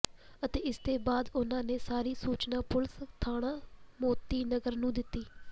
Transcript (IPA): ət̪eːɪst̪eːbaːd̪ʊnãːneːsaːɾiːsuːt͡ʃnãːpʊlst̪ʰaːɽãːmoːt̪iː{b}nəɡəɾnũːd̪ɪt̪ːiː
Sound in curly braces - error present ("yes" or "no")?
yes